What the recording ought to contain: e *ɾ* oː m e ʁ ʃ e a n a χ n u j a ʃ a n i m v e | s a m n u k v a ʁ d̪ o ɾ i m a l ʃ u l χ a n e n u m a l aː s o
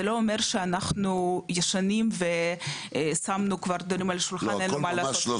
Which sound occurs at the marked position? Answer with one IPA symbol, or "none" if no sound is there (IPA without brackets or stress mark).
l